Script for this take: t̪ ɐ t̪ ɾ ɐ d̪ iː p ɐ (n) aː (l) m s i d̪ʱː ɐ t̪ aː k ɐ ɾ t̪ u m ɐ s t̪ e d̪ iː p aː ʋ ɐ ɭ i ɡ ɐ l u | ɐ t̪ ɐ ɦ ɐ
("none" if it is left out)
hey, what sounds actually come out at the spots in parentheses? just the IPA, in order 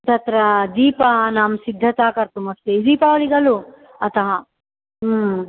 n, none

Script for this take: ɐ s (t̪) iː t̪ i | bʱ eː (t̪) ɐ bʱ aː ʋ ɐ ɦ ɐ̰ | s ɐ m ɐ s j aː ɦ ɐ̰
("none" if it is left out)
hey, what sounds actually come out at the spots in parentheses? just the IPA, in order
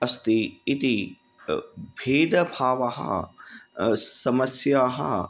t̪, d̪

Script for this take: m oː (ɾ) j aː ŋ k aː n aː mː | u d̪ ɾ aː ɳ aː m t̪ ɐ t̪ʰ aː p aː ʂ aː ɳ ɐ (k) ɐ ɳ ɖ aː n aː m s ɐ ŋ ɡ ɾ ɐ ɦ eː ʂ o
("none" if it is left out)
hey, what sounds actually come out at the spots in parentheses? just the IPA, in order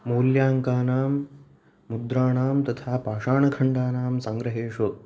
l, kʰ

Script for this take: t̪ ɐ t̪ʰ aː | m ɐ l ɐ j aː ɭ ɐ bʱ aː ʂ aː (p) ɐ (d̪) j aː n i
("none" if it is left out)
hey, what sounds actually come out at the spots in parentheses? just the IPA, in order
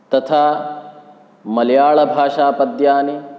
p, d̪

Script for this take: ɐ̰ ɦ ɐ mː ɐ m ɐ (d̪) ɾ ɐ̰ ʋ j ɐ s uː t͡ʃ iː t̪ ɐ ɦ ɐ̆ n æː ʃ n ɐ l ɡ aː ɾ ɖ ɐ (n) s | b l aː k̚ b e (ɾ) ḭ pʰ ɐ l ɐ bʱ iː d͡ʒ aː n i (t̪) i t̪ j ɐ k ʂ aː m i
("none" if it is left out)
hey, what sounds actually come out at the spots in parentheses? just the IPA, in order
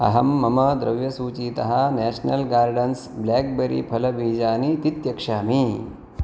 d̪, n, ɾ, t̪

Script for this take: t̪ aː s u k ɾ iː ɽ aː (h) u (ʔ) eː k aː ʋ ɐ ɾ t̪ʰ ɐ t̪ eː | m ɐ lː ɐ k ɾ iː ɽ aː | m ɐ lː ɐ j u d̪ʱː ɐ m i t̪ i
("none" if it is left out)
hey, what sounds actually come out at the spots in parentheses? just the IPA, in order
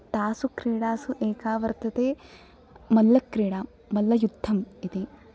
s, ʔ

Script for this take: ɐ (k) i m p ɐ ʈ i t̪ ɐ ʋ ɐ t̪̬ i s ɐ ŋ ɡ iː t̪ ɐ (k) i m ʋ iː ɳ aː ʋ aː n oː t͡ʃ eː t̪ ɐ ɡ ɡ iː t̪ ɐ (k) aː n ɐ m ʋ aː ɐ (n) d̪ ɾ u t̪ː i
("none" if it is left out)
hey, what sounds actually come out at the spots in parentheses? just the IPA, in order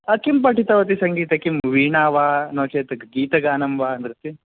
k, k, ɡ, n

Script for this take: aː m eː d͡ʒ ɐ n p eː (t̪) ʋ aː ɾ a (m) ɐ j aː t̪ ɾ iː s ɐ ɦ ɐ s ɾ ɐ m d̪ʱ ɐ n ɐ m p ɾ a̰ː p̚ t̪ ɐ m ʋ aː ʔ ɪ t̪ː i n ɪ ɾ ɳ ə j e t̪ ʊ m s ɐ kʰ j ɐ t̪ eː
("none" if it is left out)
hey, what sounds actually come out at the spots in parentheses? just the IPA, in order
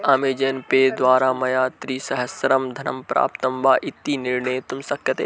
d̪, m

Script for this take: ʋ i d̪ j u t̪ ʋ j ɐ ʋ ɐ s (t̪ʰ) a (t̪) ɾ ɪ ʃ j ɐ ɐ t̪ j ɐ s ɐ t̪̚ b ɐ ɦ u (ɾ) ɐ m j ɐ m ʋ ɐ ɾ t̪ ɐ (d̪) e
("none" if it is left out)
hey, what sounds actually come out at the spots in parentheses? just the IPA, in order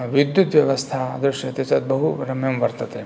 t̪ʰ, d̪, ɾ, t̪

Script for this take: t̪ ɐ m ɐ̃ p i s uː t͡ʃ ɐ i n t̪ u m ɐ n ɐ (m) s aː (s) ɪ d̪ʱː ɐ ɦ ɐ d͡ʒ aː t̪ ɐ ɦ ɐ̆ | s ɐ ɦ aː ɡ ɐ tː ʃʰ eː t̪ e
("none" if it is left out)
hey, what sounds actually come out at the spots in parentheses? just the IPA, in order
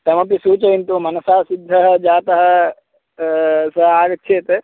none, s

